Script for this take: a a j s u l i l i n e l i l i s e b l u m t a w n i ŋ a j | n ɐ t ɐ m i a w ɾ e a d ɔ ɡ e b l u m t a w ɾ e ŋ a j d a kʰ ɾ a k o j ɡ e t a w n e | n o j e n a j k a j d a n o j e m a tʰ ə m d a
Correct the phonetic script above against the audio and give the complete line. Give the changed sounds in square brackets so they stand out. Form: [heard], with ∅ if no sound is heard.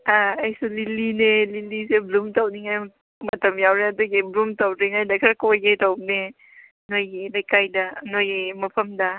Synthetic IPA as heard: a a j s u l i l i n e l i l i s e b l u m t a w n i ŋ a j | [m] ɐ t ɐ m [j] a w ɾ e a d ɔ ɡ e b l u m t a w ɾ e ŋ a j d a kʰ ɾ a k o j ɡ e t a w n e | n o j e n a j k a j d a n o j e m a [pʰ] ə m d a